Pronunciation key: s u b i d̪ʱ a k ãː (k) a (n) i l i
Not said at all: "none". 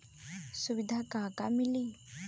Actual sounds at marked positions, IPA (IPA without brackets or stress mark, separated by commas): k, m